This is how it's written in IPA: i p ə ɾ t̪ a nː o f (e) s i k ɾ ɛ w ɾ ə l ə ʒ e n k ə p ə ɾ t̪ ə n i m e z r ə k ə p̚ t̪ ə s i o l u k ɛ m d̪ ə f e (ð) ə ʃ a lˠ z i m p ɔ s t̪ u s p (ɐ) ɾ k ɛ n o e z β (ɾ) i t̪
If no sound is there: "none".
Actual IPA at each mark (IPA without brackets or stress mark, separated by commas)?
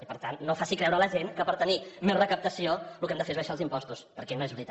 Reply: a, z, ə, ɾ